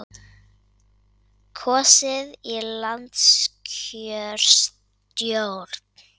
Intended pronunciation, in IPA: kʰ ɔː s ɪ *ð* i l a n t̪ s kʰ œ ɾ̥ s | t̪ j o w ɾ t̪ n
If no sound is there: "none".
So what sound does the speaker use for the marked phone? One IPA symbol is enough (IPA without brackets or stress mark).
ð